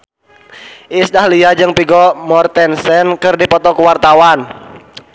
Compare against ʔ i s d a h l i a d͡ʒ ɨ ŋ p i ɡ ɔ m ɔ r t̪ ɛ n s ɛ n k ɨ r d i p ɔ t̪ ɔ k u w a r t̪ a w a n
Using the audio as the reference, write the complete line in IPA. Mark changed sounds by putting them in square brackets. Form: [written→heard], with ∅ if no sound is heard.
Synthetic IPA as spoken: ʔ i s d a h l i a d͡ʒ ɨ ŋ p i ɡ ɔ m ɔ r t̪ ɛ n s ɛ n k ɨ r d i p ɔ t̪ ɔ k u w a r t̪ a w a n